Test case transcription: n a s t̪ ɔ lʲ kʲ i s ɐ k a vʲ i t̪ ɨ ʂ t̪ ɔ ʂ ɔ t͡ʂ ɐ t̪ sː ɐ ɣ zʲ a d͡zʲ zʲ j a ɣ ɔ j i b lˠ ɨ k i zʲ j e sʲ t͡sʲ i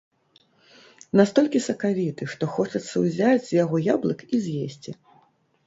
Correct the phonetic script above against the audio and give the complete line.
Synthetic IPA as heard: n a s t̪ ɔ lʲ kʲ i s ɐ k a vʲ i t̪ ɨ ʂ t̪ ɔ x ɔ t͡ʂ ɐ t̪ sː ɐ w zʲ a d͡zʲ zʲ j a ɣ ɔ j a b lˠ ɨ k i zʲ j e sʲ t͡sʲ i